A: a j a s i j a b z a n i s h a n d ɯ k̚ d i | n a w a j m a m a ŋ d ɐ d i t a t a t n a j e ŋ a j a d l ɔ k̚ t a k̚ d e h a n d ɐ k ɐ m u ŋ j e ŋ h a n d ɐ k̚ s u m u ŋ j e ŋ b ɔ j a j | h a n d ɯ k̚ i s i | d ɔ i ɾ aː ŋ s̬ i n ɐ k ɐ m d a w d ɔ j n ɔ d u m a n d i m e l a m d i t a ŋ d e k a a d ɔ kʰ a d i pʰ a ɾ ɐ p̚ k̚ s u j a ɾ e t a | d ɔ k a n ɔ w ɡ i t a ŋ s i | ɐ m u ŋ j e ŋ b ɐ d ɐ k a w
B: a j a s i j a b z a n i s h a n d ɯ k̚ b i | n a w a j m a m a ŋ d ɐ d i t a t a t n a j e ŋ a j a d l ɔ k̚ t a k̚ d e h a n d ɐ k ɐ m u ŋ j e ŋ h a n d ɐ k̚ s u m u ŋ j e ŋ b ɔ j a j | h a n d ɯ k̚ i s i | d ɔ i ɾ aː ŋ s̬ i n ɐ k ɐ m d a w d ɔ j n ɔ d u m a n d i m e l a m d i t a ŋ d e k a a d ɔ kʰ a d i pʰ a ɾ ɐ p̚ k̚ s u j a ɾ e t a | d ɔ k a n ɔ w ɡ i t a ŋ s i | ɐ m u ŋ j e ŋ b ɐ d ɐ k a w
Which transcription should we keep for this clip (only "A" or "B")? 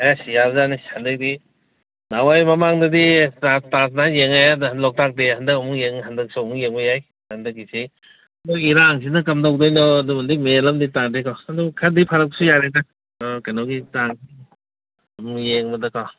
A